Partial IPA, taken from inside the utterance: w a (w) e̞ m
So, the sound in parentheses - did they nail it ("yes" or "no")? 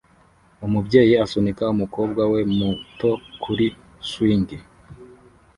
yes